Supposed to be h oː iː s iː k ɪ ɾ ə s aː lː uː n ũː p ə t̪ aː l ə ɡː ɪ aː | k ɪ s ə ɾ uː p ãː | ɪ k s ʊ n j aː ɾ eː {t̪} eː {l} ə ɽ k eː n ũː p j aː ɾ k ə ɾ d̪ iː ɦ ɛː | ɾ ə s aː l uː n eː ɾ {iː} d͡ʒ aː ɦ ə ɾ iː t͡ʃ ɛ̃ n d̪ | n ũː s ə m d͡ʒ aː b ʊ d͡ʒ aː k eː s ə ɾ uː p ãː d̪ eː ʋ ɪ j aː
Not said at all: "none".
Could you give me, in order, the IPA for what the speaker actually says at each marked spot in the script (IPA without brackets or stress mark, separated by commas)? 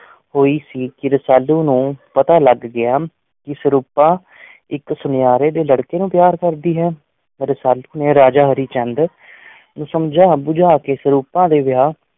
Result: d̪, l, aː